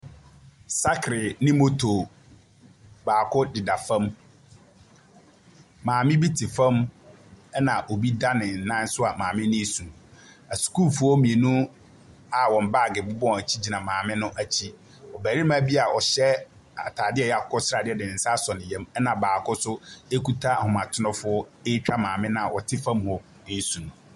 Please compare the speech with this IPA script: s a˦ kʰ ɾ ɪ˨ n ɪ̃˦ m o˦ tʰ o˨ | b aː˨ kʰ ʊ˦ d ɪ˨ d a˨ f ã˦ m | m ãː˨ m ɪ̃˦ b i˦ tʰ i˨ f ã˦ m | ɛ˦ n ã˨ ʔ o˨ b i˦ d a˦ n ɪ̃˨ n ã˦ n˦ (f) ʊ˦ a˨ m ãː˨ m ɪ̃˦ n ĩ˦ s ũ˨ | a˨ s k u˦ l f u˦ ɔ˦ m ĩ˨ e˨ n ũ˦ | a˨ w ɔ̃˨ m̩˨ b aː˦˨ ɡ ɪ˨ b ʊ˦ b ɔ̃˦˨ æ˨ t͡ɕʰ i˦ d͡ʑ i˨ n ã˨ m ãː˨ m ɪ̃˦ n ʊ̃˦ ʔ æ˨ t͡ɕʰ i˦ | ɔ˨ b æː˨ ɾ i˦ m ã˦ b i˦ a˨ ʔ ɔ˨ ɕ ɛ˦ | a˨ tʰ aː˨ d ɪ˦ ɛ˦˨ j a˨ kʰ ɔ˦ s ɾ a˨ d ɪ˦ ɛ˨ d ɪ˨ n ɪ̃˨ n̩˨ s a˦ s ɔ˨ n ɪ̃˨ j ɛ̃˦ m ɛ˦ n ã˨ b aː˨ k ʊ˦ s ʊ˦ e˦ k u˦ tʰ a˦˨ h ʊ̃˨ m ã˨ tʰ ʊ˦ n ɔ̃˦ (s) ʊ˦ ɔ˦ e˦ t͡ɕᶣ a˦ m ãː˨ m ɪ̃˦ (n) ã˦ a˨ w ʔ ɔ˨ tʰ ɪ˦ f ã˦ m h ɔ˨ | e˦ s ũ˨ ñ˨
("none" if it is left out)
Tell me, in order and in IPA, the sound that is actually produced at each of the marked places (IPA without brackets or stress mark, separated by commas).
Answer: s, f, n